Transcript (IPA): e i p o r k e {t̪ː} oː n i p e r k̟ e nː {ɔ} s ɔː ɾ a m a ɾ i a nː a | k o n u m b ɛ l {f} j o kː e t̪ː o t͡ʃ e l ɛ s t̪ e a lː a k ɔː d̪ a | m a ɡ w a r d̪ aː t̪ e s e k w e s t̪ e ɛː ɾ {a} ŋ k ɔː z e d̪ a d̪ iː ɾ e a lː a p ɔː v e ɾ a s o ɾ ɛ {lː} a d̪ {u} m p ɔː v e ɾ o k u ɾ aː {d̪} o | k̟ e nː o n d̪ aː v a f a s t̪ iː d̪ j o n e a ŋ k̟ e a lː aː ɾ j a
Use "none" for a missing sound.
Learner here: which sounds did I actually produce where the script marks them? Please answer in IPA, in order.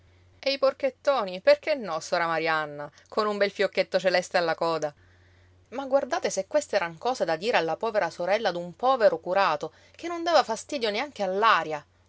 t̪ː, ɔ, f, a, lː, u, t̪

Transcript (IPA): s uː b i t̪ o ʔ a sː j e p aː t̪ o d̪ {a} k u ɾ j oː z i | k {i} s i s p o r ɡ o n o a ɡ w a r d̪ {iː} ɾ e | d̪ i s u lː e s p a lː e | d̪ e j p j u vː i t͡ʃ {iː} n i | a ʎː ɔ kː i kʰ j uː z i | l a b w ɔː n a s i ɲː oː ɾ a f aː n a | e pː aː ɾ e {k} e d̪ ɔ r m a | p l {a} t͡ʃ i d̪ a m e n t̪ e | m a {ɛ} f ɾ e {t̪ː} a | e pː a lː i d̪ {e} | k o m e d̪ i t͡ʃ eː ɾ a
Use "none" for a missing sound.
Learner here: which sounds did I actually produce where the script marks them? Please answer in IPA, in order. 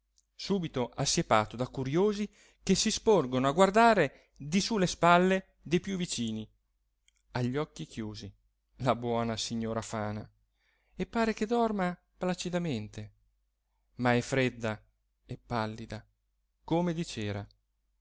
a, e, aː, iː, k, a, ɛ, d̪ː, a

